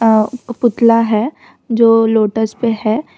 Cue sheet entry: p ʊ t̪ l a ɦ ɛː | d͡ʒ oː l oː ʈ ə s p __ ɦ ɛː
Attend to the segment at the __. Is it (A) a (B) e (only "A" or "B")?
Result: B